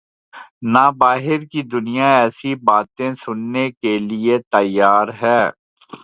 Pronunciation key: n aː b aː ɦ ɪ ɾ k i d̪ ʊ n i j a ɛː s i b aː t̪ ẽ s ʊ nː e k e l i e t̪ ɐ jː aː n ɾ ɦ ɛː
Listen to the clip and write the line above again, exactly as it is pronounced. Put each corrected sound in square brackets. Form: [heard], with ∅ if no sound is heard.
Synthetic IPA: n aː b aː ɦ ɪ ɾ k i d̪ ʊ n i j a ɛː s i b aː t̪ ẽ s ʊ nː e k e l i e t̪ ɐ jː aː [∅] ɾ ɦ ɛː